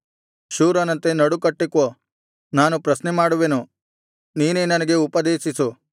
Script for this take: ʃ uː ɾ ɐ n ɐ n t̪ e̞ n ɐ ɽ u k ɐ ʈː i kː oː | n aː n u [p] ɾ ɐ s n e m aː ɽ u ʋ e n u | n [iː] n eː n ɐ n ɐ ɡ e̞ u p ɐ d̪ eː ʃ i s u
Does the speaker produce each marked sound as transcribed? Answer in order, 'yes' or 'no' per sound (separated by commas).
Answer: yes, yes